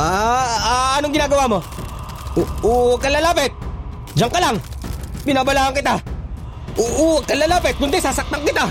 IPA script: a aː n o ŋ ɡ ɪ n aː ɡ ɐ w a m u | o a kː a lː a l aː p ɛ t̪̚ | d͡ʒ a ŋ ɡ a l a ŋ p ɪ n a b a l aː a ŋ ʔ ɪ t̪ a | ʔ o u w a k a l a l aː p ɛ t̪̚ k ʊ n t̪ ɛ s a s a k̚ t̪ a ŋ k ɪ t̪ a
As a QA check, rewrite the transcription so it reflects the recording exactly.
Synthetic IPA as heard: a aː n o ŋ ɡ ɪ n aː ɡ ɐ w a m o | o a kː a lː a l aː p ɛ t̪̚ | d͡ʒ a ŋ k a l a ŋ p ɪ n a b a l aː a ŋ k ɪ t̪ a | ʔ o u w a k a l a l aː p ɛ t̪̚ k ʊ n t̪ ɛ s a s a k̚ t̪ a ŋ k ɪ t̪ a